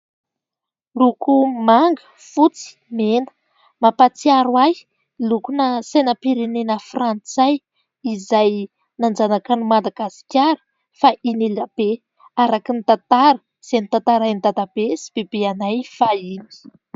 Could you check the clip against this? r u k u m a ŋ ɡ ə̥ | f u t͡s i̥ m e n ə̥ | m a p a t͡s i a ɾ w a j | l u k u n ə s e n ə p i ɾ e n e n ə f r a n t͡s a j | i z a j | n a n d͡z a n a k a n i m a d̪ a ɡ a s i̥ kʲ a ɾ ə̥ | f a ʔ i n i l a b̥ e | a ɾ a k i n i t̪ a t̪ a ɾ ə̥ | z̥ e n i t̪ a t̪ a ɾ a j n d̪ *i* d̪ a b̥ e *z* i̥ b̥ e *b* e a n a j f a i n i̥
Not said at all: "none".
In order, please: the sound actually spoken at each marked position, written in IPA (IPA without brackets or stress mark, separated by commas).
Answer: a, s, b